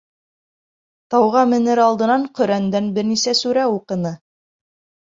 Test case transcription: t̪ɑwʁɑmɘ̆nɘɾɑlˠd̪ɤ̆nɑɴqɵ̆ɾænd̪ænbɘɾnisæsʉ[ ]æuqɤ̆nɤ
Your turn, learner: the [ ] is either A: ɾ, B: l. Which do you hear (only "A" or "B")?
A